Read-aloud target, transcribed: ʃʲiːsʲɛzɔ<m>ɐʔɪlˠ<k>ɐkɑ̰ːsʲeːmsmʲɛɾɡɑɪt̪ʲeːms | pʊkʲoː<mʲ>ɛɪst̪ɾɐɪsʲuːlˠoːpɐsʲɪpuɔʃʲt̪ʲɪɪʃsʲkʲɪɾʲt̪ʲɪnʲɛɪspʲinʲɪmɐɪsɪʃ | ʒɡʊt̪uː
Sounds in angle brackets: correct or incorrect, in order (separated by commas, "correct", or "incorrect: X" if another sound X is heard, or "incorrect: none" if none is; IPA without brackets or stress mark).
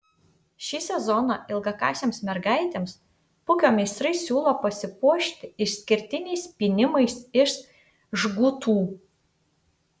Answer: incorrect: n, incorrect: ɡ, correct